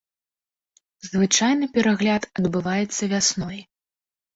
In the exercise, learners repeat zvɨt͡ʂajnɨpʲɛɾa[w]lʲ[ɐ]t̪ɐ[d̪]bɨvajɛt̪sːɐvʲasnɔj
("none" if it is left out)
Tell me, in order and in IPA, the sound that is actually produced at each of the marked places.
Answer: ɣ, a, d̪

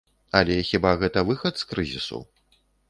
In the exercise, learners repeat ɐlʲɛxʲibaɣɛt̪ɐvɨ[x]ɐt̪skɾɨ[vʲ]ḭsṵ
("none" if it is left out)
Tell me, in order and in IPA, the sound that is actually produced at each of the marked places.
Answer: x, zʲ

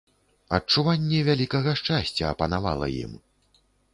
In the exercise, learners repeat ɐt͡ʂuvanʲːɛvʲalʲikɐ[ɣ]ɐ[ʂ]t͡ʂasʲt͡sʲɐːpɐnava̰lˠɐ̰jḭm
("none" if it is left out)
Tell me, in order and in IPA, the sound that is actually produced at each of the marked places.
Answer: ɣ, ʂ

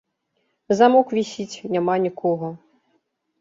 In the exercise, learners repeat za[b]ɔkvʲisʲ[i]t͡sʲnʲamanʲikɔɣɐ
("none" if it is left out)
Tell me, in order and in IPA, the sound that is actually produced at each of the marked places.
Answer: m, i

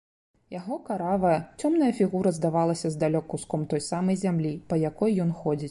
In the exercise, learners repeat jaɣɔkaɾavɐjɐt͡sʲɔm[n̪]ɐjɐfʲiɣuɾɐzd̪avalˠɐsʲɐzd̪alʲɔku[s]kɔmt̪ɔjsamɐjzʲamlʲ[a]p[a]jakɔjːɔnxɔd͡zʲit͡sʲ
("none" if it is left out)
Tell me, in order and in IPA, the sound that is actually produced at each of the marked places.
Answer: n̪, s, i, ɐ

